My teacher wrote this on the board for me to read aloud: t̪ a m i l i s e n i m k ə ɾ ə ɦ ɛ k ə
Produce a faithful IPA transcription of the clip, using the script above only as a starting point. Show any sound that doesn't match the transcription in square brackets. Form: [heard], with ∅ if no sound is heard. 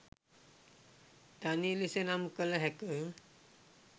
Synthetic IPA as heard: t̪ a [n] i l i s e n [a] m k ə [l] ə ɦ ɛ k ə

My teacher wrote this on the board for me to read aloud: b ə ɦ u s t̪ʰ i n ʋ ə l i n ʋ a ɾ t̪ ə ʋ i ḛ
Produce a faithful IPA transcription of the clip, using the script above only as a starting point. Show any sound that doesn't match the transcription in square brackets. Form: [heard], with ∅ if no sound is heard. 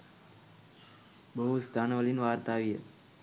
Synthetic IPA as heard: b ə ɦ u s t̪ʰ [a] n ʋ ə l i n ʋ a ɾ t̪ [a] ʋ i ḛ

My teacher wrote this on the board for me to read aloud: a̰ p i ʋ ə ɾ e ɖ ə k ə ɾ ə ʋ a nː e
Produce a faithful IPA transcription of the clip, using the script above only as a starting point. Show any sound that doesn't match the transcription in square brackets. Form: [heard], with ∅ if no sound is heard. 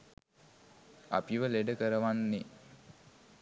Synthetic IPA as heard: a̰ p i ʋ ə [l] e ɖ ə k ə ɾ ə ʋ a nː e

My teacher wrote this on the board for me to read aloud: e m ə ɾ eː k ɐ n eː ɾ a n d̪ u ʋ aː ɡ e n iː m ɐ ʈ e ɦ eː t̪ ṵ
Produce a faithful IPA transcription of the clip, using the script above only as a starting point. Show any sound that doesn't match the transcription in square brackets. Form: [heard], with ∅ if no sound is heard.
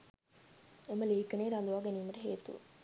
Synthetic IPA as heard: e m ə [l] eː k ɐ n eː ɾ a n d̪ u ʋ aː ɡ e n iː m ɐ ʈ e ɦ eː t̪ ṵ

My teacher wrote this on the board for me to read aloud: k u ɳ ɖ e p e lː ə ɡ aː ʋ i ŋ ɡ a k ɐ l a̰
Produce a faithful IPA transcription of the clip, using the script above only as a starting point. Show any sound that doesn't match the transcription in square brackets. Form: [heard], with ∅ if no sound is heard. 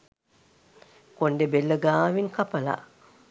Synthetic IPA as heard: k [o] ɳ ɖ e [b] e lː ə ɡ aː ʋ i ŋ [k] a [p] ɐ l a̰

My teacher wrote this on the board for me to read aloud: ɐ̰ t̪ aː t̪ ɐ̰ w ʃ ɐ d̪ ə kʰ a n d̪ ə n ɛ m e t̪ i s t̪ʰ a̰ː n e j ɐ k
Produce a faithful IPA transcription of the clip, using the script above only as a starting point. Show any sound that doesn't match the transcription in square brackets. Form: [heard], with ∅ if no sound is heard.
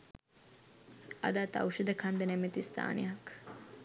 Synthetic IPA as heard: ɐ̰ [d̪] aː t̪ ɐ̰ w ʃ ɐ d̪ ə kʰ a n d̪ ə n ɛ m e t̪ i s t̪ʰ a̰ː n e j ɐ k

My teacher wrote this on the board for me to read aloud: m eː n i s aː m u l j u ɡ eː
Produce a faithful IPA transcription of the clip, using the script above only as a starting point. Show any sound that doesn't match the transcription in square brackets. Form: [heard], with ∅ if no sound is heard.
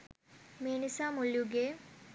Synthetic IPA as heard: m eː n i s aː m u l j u ɡ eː

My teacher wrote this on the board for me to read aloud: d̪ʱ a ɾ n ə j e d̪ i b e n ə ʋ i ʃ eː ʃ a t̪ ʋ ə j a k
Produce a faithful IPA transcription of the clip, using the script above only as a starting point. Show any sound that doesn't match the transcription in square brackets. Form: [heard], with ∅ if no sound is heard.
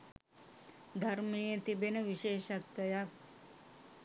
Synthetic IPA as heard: d̪ʱ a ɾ [m] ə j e [t̪] i b e n ə ʋ i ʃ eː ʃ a t̪ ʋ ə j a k

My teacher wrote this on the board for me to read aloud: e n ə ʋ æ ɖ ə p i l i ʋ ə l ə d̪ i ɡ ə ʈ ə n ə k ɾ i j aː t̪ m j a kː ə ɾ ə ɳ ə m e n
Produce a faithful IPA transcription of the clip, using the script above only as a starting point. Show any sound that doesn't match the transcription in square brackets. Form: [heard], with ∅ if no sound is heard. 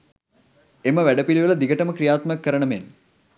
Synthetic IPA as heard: e [m] ə ʋ æ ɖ ə p i l i ʋ ə l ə d̪ i ɡ ə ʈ ə [m] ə k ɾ i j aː t̪ m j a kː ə ɾ ə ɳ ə m e n

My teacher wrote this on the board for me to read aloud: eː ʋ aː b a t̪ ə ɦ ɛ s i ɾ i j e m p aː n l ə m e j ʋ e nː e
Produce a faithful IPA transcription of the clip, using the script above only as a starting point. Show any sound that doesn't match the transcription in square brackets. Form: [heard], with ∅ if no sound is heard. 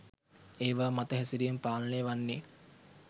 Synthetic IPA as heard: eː ʋ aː [m] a t̪ ə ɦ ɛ s i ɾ i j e m p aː [∅] l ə [n] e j ʋ [a] nː e

